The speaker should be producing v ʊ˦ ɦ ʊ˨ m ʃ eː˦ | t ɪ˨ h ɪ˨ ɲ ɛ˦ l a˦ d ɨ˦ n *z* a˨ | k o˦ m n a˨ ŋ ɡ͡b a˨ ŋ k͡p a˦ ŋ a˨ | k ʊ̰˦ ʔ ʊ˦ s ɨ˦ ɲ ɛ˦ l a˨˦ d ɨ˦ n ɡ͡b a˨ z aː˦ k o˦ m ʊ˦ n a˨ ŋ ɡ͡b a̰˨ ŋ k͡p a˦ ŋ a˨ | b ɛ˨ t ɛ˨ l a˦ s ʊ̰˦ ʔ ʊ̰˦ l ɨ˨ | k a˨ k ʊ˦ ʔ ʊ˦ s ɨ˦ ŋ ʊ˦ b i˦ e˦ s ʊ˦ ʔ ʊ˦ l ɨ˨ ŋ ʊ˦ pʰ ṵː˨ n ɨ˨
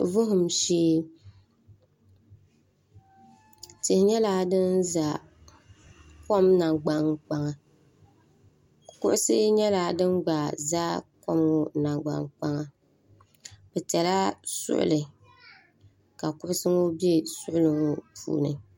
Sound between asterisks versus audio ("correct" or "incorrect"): correct